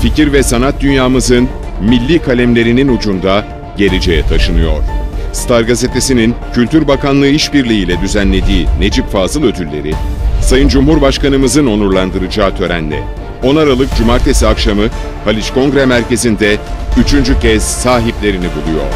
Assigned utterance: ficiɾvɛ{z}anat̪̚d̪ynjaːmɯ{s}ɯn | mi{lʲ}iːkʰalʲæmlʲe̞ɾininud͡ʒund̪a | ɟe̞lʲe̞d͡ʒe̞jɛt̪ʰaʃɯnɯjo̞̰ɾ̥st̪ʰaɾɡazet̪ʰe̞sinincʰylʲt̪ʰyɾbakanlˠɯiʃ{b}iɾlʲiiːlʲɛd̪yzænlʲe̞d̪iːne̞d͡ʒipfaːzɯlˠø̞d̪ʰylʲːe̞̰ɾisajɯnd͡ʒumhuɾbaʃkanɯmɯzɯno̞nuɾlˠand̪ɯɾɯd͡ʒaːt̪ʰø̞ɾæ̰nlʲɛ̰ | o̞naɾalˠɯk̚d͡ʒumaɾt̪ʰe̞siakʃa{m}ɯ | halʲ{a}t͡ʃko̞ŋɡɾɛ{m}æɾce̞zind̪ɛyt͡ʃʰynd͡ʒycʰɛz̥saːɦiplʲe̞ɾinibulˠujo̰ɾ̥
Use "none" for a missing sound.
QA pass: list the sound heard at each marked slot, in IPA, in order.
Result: s, z, lʲː, b, m, i, m

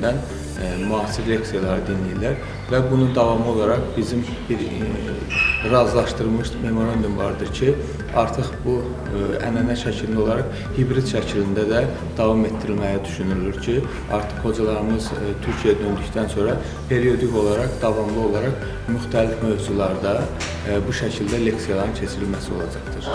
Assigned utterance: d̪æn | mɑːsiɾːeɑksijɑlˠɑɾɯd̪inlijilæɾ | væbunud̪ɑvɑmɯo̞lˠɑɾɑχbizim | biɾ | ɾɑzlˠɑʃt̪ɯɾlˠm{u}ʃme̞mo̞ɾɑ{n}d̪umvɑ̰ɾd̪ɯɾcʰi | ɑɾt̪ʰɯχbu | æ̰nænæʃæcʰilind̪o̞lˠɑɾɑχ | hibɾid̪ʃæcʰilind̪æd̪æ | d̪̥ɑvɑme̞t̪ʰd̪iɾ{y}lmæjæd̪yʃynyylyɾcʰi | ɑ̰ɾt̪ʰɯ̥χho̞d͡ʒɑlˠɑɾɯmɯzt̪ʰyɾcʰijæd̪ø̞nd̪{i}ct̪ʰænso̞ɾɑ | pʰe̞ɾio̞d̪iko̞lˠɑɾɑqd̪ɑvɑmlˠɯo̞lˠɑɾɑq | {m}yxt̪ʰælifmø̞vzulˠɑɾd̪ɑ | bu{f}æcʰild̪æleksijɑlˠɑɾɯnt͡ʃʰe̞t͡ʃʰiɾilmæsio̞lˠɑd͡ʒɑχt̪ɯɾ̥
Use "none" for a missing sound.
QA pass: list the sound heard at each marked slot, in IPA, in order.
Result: ɯ, n, i, y, m, ʃ

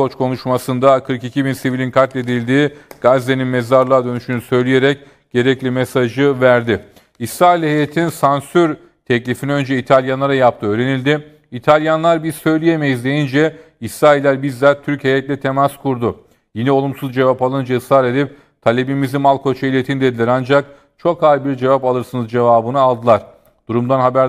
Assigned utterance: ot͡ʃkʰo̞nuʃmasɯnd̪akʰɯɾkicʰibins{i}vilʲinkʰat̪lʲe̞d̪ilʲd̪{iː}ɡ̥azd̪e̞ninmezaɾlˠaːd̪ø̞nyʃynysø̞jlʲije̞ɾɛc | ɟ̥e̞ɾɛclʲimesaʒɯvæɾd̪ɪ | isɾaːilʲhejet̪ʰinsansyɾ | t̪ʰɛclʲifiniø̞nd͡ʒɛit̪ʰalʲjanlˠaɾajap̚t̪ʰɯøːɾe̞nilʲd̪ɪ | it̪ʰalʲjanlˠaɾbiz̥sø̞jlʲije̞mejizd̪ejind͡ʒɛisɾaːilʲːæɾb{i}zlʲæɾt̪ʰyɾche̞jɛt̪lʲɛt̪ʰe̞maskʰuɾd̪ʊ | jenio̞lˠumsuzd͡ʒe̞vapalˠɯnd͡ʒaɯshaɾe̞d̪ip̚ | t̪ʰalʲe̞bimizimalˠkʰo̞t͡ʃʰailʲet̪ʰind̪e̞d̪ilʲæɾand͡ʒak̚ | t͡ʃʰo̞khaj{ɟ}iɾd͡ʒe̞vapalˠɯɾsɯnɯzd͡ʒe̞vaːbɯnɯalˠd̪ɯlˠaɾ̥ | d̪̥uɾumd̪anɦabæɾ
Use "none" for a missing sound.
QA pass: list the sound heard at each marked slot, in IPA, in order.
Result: i, iː, i, b

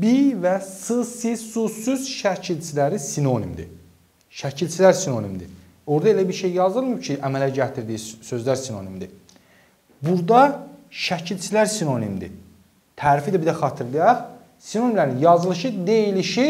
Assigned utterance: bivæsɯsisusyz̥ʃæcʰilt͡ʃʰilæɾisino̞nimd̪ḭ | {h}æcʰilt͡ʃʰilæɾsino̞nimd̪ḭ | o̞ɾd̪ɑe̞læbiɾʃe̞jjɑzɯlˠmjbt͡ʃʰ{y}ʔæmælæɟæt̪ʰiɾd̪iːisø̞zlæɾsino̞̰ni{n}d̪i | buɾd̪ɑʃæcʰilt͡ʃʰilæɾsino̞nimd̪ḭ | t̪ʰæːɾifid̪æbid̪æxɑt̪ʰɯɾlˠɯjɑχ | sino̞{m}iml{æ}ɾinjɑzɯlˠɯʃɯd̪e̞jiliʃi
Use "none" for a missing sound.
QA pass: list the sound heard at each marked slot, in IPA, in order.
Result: ʃ, i, m, n, æ

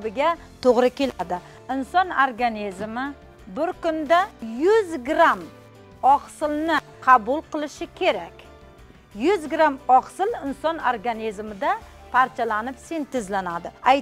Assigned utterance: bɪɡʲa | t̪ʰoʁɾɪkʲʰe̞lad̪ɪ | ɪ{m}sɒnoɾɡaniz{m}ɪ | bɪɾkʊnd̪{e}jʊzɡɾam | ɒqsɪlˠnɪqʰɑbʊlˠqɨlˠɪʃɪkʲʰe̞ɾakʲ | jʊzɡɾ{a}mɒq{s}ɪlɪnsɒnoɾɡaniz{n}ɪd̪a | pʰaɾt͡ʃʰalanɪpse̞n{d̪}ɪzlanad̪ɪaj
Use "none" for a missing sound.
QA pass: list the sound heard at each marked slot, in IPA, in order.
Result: n, m, a, a, s, m, t̪

